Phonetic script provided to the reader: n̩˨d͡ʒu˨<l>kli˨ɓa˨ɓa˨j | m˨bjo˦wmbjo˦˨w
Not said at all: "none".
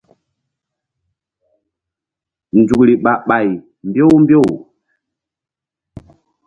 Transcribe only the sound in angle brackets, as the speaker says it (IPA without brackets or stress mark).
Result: none